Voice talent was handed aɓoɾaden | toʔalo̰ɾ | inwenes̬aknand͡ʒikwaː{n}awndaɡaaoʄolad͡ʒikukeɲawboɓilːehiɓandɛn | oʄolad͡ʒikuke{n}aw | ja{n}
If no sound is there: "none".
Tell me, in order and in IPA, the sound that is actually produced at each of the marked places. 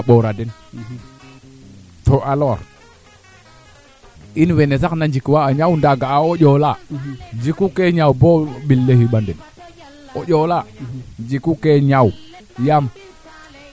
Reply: ɲ, ɲ, m

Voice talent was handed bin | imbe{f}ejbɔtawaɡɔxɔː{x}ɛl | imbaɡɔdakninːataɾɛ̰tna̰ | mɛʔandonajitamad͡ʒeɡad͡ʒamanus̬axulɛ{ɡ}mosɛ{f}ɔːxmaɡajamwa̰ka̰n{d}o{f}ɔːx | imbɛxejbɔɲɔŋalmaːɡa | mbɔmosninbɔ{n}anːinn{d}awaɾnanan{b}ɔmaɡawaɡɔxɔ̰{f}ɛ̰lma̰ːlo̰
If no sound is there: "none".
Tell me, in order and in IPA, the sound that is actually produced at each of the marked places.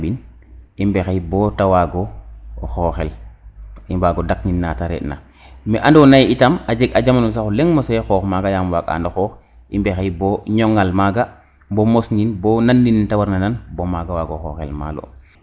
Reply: x, x, ŋ, x, d, x, n, t, b, x

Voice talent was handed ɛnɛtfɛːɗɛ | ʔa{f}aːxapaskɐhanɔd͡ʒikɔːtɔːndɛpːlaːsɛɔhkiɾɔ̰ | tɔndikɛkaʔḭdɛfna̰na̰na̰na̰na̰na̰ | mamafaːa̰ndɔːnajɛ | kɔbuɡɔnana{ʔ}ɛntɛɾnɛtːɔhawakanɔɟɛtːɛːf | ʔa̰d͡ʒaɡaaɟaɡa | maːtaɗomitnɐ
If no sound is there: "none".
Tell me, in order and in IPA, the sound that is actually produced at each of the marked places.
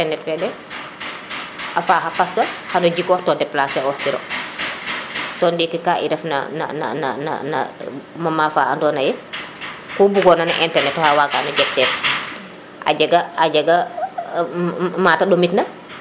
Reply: f, ʔ

